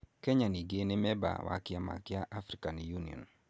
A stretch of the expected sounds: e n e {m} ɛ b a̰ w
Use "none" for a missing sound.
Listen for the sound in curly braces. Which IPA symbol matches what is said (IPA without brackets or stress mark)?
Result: m